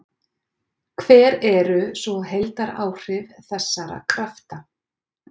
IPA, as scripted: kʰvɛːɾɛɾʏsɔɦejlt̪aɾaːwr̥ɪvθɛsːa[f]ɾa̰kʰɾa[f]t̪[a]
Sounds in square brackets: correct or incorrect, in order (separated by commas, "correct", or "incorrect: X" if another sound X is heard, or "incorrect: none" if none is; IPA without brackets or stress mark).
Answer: incorrect: none, correct, correct